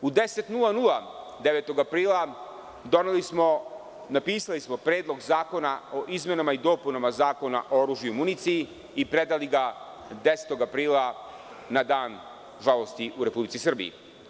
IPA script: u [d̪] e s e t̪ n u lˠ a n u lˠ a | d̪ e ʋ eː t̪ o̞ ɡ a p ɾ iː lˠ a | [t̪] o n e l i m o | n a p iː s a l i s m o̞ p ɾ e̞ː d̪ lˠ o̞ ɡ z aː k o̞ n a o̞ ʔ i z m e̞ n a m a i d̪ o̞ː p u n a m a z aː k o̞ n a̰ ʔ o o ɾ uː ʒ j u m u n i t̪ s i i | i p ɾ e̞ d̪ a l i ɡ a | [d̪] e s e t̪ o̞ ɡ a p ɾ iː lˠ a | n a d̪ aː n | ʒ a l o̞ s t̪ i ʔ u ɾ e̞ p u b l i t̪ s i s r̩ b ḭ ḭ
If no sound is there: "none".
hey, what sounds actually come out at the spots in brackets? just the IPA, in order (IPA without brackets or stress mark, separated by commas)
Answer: d̪, d̪, d̪